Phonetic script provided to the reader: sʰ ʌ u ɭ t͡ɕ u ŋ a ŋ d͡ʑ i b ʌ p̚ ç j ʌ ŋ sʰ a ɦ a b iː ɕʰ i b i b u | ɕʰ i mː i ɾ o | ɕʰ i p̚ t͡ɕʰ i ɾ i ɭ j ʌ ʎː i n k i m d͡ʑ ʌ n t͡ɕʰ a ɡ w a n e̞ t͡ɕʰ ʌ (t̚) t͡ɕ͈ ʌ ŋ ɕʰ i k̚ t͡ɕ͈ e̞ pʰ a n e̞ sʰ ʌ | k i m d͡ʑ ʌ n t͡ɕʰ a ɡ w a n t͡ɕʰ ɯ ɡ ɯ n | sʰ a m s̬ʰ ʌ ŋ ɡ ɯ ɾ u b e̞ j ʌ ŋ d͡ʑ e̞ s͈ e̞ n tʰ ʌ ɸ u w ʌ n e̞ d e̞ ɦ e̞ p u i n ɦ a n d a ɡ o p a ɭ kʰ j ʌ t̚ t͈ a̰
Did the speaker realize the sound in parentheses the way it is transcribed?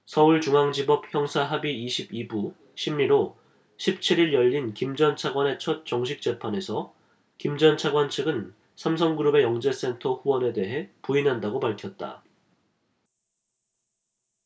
yes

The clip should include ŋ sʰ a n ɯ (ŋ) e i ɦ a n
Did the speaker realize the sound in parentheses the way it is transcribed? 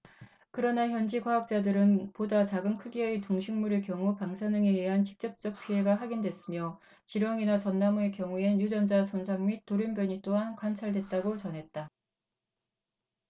yes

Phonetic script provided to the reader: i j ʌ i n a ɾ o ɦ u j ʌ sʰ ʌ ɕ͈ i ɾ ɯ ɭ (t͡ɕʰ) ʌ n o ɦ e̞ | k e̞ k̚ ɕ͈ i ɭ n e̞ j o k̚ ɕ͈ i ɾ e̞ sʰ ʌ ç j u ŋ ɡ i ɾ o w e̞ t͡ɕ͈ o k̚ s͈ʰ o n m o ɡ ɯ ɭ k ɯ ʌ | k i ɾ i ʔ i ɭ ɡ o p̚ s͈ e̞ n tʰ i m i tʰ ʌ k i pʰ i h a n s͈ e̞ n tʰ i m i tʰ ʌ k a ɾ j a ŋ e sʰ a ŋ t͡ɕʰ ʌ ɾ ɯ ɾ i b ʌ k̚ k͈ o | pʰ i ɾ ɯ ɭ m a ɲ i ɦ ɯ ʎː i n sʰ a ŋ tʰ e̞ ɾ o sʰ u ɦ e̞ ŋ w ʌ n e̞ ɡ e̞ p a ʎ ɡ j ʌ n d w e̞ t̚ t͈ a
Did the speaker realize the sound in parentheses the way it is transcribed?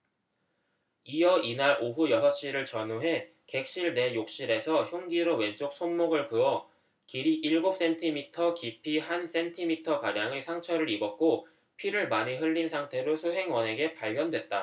no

